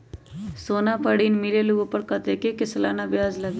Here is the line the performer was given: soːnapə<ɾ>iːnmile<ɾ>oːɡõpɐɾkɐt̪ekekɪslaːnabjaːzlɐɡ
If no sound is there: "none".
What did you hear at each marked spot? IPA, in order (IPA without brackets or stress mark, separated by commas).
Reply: ɽ, l